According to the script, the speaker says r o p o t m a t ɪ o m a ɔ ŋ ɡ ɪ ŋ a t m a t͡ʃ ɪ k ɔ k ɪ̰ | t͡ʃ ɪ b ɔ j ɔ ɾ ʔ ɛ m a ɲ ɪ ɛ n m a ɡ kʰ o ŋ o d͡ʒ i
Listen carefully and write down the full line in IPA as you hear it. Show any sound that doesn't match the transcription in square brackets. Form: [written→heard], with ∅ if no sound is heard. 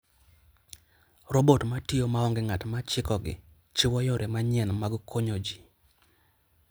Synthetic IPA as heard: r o [p→b] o t m a t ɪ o m a ɔ ŋ ɡ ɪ ŋ a t m a t͡ʃ ɪ k ɔ [k→ɡ] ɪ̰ | t͡ʃ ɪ [b→w] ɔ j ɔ ɾ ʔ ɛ m a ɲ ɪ ɛ n m a ɡ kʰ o [ŋ→ɲ] o d͡ʒ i